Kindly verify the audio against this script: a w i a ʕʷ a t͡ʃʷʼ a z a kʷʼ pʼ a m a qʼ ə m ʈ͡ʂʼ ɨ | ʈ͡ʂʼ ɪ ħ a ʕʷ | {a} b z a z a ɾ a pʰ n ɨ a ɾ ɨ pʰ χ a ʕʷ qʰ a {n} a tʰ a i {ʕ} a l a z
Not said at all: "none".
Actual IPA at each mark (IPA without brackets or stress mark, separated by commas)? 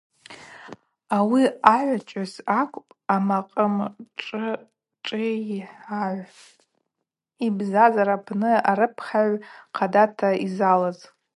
i, d, z